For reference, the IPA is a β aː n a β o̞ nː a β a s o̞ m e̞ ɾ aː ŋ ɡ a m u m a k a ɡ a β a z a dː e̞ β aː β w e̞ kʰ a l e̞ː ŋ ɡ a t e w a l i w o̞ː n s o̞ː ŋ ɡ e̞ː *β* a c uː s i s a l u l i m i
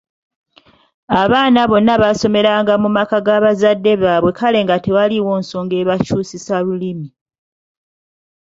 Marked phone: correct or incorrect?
correct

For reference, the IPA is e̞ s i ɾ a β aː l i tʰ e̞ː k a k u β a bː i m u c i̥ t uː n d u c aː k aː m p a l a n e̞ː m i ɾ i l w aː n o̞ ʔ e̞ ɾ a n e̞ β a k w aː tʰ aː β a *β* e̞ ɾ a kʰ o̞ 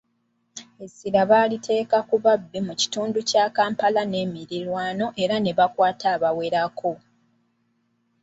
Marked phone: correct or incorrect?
incorrect: w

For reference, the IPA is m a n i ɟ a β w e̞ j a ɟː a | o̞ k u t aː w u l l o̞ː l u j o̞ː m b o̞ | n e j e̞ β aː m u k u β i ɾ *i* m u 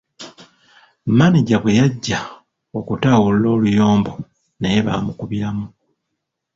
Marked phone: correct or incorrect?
incorrect: a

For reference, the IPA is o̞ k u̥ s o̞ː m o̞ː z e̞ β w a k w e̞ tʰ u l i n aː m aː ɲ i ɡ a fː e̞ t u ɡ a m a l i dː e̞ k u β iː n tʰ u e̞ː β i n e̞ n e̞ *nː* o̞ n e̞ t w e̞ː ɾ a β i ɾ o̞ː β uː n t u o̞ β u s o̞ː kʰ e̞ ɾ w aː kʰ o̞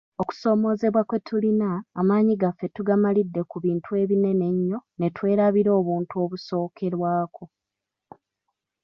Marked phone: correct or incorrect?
incorrect: ɲː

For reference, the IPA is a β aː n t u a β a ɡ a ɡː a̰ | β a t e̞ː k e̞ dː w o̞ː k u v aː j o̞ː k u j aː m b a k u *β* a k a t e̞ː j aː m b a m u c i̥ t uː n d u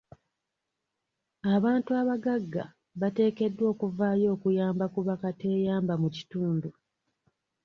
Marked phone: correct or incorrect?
correct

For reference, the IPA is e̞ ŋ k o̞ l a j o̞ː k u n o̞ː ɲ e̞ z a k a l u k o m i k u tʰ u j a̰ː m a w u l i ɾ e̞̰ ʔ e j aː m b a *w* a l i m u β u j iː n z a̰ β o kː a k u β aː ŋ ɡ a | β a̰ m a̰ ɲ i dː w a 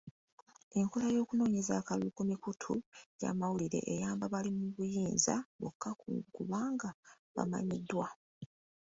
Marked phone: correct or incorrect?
incorrect: β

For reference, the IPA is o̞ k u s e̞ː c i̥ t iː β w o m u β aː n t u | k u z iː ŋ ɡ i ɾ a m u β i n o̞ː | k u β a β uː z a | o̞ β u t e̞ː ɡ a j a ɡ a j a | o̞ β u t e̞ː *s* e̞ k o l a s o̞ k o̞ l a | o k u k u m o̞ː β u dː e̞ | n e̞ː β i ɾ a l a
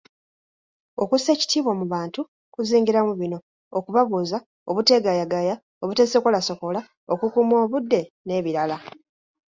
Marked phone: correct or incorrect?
correct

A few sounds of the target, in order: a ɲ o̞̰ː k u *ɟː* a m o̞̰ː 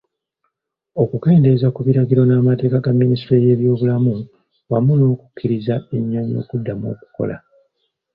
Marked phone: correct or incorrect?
incorrect: dː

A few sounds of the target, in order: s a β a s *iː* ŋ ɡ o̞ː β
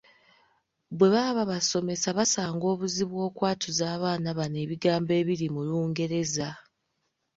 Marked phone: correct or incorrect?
incorrect: aː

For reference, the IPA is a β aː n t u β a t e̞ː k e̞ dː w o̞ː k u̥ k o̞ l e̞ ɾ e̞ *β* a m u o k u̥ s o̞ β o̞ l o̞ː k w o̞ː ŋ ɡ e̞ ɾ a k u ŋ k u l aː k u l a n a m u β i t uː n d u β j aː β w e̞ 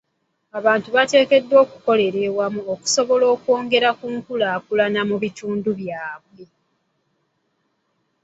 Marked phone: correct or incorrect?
incorrect: w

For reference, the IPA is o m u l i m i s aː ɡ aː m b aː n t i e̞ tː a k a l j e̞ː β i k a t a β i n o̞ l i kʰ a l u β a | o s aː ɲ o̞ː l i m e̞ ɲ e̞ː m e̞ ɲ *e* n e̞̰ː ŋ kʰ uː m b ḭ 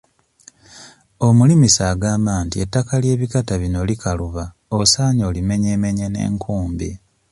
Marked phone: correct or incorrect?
correct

